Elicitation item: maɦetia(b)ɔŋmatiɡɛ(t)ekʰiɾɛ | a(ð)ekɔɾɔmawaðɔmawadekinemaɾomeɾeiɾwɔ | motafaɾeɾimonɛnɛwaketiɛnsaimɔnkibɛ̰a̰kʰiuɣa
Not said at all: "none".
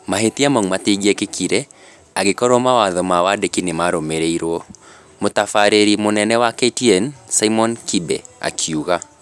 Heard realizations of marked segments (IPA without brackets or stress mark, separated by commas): m, k, ɣ